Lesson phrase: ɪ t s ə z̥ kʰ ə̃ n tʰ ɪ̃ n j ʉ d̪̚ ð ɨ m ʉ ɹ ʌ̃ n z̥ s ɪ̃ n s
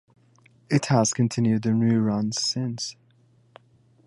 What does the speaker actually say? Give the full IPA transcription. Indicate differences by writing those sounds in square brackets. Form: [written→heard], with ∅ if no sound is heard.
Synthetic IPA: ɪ t [s→h] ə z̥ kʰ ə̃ n tʰ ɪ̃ n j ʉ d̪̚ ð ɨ [m→n] ʉ ɹ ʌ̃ n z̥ s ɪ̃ n s